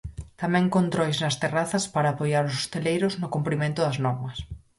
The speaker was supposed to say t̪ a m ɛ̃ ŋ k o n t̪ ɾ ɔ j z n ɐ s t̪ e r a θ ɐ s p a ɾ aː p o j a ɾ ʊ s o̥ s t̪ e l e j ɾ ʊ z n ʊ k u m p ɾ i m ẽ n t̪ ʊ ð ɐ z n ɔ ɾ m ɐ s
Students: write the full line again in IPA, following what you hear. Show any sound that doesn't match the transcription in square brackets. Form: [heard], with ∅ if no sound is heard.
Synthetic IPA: t̪ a m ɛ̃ ŋ k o n t̪ ɾ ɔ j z n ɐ s t̪ e r a θ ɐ s p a ɾ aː p o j a ɾ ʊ s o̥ s t̪ e l e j ɾ ʊ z n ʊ k u m p ɾ i m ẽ n t̪ ʊ ð ɐ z n ɔ ɾ m ɐ s